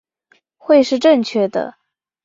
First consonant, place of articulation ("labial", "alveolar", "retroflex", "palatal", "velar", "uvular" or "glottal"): velar